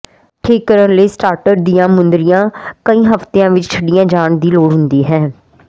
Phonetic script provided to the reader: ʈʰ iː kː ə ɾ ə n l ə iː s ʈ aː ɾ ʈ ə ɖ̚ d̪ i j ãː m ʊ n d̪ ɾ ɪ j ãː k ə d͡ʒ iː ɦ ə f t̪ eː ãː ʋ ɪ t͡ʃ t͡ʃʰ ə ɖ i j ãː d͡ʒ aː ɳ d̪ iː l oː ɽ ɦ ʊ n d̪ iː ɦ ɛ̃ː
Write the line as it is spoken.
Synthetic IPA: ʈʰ iː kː ə ɾ ə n l ə iː s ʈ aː ɾ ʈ ə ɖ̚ d̪ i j ãː m ʊ n d̪ ɾ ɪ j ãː k ə iː ɦ ə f t̪ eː ãː ʋ ɪ t͡ʃ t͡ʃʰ ə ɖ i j ãː d͡ʒ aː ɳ d̪ iː l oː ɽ ɦ ʊ n d̪ iː ɦ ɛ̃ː